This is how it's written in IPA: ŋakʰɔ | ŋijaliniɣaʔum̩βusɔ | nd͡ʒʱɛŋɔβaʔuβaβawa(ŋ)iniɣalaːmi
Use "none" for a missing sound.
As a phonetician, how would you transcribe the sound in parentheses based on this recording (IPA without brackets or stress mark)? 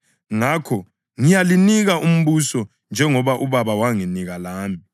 ŋ